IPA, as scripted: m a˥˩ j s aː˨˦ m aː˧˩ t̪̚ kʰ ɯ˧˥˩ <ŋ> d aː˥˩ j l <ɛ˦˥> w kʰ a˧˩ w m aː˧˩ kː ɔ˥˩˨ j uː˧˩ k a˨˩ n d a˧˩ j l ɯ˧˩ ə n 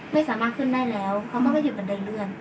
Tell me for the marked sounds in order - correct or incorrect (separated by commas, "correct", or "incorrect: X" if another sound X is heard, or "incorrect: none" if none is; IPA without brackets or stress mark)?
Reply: incorrect: n, incorrect: ɛː˦˥